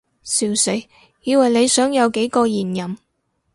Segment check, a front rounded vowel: present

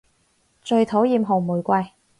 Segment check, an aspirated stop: present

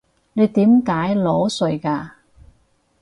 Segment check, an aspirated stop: absent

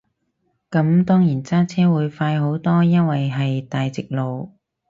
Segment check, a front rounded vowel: absent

